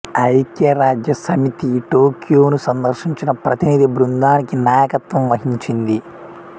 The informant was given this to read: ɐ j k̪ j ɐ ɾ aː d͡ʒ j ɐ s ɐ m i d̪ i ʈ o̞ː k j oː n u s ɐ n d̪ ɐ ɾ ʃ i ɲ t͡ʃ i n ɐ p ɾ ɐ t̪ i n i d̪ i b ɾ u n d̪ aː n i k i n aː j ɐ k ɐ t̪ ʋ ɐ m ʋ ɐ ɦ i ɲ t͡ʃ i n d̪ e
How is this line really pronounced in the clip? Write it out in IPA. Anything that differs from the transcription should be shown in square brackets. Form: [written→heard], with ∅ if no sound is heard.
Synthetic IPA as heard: ɐ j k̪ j ɐ ɾ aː d͡ʒ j ɐ s ɐ m i [d̪→t̪] i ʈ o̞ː k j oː n u s ɐ n d̪ ɐ ɾ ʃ i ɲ t͡ʃ i n ɐ p ɾ ɐ t̪ i n i d̪ i b ɾ u n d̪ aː n i k i n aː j ɐ k ɐ t̪ ʋ ɐ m ʋ ɐ ɦ i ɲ t͡ʃ i n d̪ [e→i]